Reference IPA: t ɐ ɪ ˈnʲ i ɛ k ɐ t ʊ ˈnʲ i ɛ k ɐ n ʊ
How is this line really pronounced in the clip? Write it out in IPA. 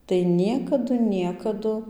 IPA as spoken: t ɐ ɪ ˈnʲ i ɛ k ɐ d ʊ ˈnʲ i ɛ k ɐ d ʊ

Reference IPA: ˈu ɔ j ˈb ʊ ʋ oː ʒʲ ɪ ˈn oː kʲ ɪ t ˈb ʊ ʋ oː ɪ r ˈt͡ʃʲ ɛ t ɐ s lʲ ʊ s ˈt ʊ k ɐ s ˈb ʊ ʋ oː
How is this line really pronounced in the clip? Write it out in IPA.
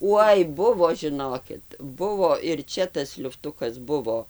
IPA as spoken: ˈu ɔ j ˈb ʊ ʋ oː ʒʲ ɪ ˈn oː kʲ ɪ t ˈb ʊ ʋ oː ɪ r ˈt͡ʃʲ ɛ t ɐ s lʲ ʊ f ˈt ʊ k ɐ s ˈb ʊ ʋ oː

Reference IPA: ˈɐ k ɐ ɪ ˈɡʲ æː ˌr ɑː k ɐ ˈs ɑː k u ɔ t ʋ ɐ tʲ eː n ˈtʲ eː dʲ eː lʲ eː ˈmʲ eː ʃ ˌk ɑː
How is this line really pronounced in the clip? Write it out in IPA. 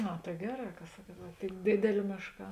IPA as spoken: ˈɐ t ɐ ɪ ˈɡʲ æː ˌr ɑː k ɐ ˈs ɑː k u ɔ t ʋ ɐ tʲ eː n ˈdʲ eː dʲ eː lʲ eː ˈmʲ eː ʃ ˌk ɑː

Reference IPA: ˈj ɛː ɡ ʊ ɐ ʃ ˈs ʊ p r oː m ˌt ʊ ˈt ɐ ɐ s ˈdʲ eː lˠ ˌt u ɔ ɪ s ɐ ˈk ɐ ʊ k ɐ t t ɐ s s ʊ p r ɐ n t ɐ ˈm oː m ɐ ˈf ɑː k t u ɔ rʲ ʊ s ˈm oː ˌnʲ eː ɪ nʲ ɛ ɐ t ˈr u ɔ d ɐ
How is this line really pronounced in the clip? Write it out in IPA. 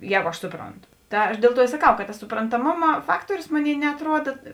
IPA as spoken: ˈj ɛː ɡ ʊ ɐ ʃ ˈs ʊ p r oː n ˌt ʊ ˈt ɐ ɐ ʃ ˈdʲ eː lˠ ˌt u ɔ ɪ s ɐ ˈk ɐ ʊ k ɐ t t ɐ s s ʊ p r ɐ n t ɐ ˈm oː m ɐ ˈf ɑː k t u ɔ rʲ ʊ s ˈm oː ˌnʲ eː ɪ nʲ ɛ ɐ t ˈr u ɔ d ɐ

